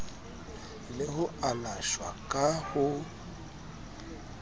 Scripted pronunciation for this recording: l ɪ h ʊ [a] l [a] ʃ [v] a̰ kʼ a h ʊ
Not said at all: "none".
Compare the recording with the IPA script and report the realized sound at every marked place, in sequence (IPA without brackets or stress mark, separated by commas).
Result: a, a, w